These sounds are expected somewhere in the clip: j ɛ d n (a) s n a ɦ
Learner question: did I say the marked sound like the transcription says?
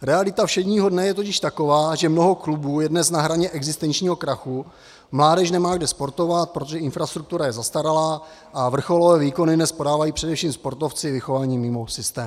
no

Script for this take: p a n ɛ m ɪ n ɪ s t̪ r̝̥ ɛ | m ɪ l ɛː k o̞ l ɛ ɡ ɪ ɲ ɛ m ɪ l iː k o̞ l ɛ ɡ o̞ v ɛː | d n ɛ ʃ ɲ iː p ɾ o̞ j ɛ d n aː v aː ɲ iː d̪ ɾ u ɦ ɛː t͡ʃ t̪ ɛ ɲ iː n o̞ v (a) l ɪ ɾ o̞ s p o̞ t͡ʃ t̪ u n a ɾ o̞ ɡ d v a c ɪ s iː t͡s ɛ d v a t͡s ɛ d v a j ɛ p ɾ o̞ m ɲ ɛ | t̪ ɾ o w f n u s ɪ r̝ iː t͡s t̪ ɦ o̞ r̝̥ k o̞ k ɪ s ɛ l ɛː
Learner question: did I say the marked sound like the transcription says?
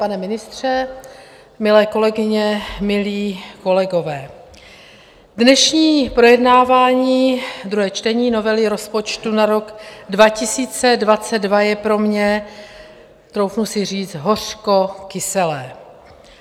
no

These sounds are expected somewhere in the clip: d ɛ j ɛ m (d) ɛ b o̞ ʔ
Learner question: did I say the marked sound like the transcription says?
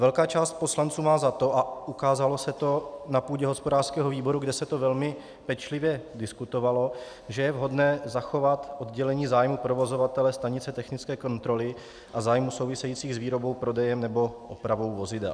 no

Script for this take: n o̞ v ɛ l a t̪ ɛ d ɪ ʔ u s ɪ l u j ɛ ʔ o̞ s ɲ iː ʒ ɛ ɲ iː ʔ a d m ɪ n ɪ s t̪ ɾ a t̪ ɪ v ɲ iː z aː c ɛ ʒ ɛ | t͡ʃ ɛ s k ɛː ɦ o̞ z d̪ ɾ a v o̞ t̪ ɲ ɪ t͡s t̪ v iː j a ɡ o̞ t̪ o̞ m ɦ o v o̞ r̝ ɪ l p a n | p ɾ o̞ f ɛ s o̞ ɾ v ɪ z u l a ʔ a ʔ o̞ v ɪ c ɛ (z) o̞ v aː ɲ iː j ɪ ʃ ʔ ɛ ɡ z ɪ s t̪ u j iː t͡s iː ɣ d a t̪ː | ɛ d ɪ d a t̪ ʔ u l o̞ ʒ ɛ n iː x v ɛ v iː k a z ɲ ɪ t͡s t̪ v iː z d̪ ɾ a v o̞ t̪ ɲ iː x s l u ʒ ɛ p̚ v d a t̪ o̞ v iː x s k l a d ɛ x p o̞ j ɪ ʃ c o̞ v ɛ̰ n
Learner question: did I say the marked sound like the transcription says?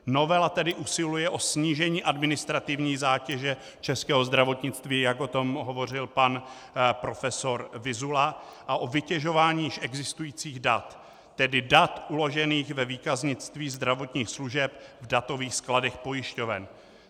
no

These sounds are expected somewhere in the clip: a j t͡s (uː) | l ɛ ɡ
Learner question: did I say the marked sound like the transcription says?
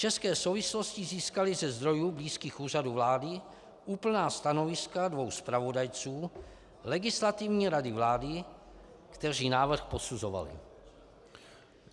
yes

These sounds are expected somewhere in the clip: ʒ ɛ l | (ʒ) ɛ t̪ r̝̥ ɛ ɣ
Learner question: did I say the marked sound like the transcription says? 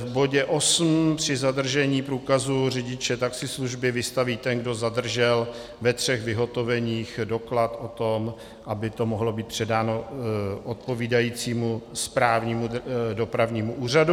no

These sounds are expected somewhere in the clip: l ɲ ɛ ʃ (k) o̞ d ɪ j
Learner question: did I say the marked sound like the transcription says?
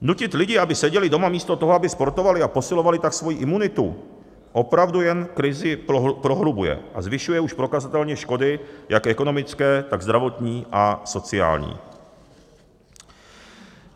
yes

